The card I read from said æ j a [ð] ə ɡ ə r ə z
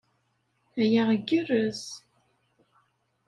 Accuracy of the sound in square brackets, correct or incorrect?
incorrect